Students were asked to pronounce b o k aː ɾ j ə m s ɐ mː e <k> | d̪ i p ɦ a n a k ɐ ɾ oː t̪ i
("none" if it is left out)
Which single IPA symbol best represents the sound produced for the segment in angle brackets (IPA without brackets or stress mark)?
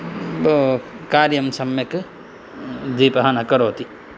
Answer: k